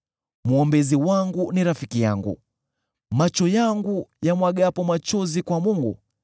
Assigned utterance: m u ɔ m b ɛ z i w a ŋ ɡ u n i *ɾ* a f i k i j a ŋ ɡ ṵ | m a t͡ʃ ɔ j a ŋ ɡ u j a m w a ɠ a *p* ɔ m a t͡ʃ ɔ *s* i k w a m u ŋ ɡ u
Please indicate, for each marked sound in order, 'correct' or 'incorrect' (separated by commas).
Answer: correct, correct, incorrect